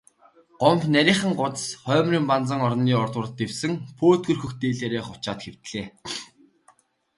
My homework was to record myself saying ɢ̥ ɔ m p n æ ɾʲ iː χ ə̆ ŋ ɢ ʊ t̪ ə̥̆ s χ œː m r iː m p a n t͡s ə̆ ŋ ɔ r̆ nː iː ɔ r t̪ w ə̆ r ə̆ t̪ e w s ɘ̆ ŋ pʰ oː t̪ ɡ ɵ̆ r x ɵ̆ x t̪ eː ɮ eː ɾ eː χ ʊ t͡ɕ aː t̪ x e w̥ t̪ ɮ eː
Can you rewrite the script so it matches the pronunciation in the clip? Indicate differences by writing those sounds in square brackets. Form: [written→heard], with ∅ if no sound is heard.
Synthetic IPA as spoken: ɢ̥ ɔ m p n æ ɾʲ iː χ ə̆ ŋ ɢ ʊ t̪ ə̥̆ s χ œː m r iː m p a n t͡s ə̆ ŋ ɔ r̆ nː iː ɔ r t̪ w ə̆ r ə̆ t̪ e w s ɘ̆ ŋ pʰ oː t̪ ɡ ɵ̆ r x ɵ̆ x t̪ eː ɮ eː ɾ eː χ ʊ t͡ɕ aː t̪ x e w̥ t̪ ɮ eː